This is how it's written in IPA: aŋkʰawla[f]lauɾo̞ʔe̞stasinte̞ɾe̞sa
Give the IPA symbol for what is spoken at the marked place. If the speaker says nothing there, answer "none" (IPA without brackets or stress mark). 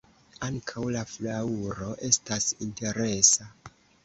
f